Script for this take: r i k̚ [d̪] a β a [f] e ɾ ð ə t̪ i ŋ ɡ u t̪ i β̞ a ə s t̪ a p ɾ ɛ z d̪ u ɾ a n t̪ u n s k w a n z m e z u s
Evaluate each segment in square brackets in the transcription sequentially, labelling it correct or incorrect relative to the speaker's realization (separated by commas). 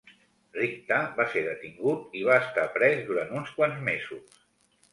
incorrect, incorrect